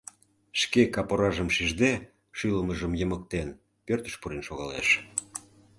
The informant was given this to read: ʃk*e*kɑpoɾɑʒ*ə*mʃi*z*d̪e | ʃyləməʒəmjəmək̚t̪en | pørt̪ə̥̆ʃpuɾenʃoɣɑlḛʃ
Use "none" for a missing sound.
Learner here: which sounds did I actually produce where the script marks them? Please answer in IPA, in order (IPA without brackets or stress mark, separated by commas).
e, ə, ʒ